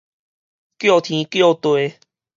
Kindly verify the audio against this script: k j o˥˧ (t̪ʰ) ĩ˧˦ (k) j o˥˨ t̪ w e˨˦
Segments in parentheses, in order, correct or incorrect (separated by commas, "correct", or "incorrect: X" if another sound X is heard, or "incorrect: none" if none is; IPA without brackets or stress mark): correct, correct